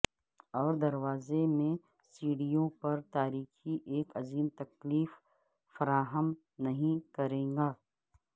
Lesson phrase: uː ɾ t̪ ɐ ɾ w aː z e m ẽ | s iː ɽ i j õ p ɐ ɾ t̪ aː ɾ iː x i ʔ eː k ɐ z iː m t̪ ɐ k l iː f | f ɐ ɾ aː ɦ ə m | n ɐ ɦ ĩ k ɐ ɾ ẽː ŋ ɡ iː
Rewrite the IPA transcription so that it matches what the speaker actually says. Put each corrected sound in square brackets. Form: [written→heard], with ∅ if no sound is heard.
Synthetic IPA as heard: [uː→ɔː] ɾ [t̪→d̪] ɐ ɾ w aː z e m ẽ | s iː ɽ i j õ p ɐ ɾ t̪ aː ɾ iː x i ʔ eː k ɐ z iː m t̪ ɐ k l iː f | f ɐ ɾ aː ɦ ə m | n ɐ ɦ ĩ k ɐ ɾ ẽː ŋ ɡ [iː→aː]